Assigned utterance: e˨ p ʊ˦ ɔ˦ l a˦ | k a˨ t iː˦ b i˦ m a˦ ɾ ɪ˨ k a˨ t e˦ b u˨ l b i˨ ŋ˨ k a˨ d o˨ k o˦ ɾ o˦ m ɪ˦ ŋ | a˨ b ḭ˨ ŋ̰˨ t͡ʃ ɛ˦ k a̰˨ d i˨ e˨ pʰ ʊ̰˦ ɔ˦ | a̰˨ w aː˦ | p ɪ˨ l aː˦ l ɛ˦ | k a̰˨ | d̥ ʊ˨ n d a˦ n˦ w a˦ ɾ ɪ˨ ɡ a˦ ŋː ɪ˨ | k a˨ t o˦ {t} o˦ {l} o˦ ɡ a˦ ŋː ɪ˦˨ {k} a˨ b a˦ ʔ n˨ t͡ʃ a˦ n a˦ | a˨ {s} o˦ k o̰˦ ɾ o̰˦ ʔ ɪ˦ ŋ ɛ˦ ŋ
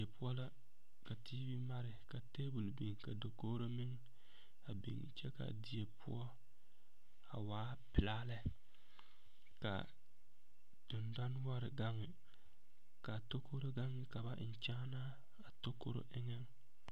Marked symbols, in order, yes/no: no, no, yes, no

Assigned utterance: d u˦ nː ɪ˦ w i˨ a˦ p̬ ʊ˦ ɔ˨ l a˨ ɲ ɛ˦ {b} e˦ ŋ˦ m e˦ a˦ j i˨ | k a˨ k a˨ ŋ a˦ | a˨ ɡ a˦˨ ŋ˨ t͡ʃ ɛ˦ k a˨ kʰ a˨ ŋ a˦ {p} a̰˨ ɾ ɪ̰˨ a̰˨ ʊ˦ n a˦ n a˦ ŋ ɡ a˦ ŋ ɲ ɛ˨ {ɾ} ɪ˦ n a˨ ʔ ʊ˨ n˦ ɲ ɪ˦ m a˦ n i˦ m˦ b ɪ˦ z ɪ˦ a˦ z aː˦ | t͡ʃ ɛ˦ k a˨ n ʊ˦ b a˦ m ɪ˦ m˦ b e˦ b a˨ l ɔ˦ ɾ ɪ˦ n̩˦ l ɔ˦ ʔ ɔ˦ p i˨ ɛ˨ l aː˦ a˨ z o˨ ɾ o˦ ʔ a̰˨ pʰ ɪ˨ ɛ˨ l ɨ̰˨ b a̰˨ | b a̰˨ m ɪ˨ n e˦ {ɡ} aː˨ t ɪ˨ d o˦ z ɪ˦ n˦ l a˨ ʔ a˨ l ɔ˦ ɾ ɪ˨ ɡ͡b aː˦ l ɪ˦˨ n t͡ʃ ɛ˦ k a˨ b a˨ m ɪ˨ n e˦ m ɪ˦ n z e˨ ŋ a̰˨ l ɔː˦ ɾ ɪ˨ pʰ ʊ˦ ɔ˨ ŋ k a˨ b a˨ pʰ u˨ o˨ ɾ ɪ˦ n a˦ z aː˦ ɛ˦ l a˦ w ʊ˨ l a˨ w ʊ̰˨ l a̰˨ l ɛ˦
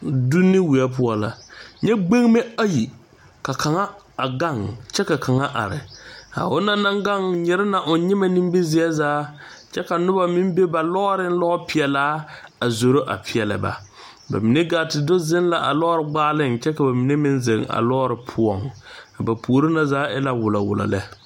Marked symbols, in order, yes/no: no, no, yes, yes

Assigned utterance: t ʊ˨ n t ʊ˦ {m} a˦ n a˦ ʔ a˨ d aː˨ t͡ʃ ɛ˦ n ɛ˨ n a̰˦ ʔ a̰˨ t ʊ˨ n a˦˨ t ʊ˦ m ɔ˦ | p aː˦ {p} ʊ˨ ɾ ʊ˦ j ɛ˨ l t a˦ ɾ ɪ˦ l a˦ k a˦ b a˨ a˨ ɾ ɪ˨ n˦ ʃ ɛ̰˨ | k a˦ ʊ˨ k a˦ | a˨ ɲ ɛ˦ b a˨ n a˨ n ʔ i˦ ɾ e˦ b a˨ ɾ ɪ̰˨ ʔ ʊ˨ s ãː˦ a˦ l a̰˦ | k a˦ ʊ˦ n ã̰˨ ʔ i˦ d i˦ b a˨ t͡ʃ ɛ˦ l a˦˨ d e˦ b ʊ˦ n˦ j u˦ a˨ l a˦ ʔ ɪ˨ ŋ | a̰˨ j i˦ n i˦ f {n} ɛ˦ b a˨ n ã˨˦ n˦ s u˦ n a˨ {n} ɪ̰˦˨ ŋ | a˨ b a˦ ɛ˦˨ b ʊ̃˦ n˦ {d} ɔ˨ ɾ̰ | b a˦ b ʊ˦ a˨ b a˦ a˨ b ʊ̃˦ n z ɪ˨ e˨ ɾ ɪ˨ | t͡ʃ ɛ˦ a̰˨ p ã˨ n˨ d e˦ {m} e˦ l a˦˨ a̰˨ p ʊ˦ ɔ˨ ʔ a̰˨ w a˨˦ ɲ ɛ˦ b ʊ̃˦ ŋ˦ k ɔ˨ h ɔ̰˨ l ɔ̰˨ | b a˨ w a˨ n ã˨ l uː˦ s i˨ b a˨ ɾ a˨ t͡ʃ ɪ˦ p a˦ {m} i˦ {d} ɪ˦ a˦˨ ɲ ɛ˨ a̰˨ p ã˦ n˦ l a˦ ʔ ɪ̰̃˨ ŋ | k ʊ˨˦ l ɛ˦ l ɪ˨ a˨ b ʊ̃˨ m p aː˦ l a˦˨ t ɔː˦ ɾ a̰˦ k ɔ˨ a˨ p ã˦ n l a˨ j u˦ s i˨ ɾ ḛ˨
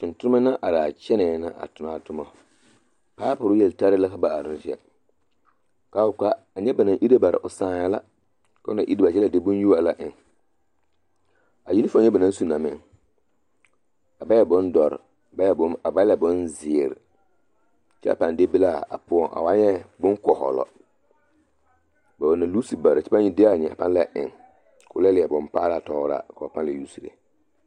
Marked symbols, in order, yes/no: yes, yes, no, no, yes, no, no, yes

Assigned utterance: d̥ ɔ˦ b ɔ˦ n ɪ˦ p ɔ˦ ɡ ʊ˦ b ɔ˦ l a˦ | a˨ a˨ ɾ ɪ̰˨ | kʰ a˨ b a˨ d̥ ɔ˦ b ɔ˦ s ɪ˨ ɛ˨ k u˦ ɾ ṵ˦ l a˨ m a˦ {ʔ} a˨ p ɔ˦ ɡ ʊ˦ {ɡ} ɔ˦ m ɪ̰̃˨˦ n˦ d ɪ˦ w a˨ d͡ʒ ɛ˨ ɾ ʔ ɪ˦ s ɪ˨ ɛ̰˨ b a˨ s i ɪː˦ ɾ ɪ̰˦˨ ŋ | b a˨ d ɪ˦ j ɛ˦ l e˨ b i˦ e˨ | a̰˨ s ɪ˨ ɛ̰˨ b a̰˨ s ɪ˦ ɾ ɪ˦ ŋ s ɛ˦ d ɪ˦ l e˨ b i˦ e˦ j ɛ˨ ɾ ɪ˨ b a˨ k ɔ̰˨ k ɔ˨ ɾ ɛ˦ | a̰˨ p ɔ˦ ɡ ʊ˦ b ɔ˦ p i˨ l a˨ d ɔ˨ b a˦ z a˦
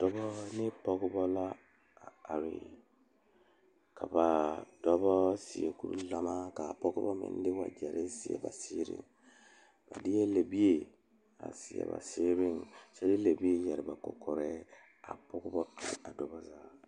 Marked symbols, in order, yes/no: no, no

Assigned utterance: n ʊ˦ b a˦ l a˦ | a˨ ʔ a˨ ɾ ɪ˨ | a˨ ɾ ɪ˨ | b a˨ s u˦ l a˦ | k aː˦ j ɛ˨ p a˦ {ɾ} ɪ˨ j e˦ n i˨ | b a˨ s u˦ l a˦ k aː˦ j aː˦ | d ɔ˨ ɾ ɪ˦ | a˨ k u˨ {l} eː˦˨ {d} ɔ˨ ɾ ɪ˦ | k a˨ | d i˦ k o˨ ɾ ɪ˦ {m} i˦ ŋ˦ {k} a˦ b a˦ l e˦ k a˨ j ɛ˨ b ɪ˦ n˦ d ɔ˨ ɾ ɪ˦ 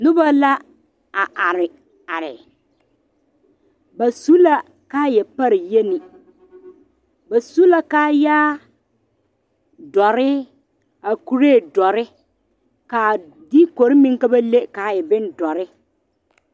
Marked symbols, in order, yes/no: yes, no, yes, yes, yes

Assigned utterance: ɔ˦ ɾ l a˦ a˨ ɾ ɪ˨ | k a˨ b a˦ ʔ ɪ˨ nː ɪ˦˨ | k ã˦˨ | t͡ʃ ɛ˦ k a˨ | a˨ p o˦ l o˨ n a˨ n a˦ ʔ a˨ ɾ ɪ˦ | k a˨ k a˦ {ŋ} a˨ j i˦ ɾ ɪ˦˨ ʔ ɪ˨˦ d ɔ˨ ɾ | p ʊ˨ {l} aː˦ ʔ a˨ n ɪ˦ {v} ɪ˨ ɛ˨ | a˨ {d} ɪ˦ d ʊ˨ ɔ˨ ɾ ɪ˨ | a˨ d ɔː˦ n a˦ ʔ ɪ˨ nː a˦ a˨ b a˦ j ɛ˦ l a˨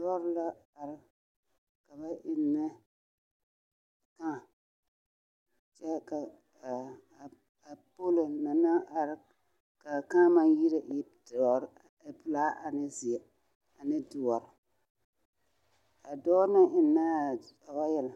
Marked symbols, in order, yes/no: no, yes, no, no

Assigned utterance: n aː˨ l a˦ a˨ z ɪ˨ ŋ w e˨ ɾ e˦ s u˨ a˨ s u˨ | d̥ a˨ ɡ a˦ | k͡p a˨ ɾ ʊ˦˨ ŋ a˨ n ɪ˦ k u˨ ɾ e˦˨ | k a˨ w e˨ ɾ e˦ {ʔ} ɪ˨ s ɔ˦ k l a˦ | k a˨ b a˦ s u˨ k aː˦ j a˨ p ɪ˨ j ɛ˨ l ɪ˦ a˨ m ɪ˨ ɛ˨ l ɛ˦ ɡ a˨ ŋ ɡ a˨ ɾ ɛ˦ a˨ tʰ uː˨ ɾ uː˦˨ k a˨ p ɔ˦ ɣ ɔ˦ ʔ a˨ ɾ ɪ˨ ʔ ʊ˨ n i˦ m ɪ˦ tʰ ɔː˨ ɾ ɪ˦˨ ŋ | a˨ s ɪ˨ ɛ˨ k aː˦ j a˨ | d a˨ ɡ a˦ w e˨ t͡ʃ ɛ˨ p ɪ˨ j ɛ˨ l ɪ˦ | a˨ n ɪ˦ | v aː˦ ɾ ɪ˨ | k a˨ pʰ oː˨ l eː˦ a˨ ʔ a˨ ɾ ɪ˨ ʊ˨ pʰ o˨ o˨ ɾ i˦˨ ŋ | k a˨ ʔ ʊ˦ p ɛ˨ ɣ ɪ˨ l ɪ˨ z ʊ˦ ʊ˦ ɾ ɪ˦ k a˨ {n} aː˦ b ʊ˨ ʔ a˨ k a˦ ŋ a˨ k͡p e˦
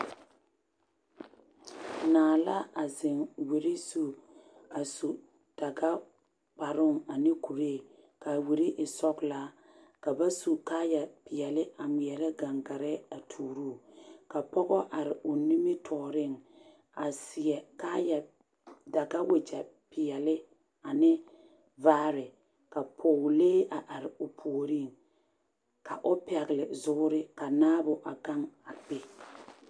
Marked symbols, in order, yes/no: yes, yes

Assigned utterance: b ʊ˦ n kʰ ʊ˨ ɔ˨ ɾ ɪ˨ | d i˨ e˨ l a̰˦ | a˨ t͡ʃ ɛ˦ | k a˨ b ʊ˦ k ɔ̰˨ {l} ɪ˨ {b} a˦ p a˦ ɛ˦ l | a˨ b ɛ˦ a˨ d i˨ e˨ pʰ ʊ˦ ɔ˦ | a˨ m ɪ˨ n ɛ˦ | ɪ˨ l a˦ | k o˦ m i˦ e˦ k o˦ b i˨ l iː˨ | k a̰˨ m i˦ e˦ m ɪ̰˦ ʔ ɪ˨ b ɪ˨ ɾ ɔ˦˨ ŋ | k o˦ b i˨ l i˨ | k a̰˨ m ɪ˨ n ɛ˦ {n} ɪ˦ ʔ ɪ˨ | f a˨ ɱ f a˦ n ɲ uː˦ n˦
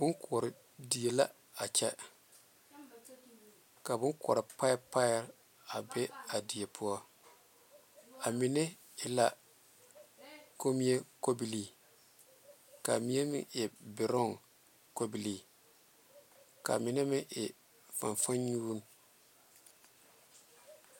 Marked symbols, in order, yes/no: no, no, no

